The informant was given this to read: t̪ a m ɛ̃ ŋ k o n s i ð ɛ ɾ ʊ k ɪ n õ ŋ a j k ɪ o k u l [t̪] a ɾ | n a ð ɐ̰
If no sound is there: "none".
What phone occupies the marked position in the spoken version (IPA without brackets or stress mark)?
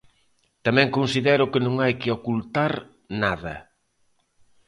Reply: t̪